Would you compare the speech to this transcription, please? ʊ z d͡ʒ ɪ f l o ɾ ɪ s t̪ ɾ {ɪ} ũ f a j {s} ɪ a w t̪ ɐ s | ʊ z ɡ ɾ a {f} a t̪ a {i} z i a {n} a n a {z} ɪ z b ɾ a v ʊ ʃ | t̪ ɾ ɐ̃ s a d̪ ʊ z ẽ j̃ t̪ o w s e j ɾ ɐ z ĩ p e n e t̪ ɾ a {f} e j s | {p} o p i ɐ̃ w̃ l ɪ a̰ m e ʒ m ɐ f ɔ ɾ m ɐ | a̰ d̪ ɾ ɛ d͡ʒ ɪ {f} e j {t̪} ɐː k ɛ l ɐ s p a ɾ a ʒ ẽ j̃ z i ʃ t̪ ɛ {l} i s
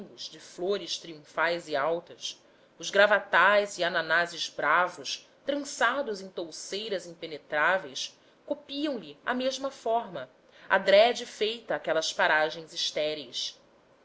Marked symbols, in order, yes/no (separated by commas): no, no, no, no, yes, yes, no, no, yes, yes, no